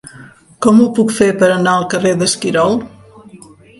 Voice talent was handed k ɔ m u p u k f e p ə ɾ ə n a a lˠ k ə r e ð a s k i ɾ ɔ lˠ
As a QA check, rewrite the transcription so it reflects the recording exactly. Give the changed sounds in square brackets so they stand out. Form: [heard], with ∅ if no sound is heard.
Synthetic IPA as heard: k ɔ m u p u k f e p ə ɾ ə n a [ə] lˠ k ə r e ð [ə] s k i ɾ ɔ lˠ